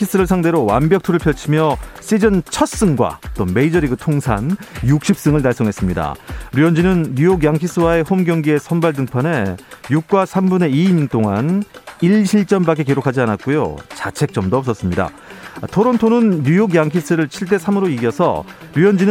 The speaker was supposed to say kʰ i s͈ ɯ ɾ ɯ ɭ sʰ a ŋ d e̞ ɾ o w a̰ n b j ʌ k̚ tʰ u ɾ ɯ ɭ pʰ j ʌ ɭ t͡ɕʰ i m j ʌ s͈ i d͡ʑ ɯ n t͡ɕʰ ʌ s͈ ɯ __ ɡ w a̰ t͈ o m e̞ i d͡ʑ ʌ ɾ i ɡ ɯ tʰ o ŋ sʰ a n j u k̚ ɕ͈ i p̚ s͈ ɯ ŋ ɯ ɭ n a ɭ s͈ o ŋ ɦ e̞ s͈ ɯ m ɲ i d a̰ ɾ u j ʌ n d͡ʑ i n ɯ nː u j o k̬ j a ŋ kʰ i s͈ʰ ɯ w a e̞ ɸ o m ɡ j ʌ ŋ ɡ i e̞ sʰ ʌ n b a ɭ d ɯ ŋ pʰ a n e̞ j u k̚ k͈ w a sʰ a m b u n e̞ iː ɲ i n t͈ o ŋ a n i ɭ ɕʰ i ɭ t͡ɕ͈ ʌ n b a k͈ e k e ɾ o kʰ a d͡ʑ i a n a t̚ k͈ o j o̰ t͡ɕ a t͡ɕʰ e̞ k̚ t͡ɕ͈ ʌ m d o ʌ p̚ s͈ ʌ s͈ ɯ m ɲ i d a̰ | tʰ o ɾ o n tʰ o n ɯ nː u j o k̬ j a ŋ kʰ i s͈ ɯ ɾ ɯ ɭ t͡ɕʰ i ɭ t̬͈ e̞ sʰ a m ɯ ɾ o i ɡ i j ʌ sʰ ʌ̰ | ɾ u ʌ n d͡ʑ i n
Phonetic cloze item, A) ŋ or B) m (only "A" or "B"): A